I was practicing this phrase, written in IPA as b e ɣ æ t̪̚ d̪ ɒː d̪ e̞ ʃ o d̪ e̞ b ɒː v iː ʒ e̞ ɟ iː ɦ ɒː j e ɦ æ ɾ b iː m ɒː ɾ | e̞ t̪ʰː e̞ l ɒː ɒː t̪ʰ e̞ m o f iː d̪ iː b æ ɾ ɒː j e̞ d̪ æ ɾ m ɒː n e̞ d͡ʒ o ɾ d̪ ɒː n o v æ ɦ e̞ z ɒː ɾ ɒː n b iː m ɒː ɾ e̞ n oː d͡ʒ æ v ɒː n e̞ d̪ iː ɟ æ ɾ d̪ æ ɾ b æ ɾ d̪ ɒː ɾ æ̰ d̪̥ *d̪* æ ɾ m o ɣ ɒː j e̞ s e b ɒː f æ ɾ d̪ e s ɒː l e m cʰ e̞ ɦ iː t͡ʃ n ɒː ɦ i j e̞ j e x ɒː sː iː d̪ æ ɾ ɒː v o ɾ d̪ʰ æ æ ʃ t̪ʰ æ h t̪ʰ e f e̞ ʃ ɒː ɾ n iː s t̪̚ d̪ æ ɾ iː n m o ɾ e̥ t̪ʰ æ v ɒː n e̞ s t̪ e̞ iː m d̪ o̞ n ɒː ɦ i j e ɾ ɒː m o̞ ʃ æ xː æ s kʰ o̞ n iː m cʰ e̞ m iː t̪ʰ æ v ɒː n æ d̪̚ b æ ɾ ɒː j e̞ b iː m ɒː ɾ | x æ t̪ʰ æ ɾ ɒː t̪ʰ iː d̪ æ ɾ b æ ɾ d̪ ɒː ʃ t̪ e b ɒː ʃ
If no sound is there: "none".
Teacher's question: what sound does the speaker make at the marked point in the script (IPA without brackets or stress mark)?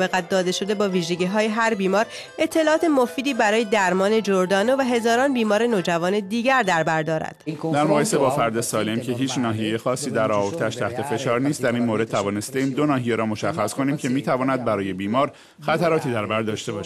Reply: d̪